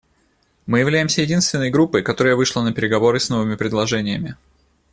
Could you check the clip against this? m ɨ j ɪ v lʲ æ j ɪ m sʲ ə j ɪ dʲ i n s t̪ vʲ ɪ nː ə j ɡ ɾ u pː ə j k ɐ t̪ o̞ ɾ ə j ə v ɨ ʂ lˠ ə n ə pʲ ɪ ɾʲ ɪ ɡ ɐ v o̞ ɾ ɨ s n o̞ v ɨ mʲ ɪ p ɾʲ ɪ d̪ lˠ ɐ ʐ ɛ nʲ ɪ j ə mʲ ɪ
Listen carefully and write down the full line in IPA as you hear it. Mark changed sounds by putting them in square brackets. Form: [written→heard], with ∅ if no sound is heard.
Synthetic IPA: m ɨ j ɪ v lʲ æ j ɪ m sʲ ə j ɪ dʲ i n s t̪ vʲ ɪ nː ə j ɡ ɾ u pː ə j k ɐ t̪ o̞ ɾ ə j ə v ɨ ʂ lˠ ə n ə pʲ ɪ ɾʲ ɪ ɡ ɐ v o̞ ɾ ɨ s n o̞ v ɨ mʲ ɪ p ɾʲ ɪ d̪ lˠ ɐ ʐ ɛ nʲ ɪ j ə mʲ ɪ